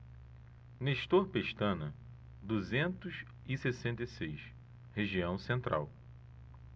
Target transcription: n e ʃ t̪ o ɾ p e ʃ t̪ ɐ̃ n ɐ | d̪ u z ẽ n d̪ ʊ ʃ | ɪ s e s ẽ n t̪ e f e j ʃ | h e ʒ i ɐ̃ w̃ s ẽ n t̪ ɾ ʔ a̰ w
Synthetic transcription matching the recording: n e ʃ t̪ o ɾ p e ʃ t̪ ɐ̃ n ɐ | d̪ u z ẽ n t̪ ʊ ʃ | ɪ s e s ẽ n t̪ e s e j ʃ | h e ʒ i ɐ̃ w̃ s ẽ n t̪ ɾ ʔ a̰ w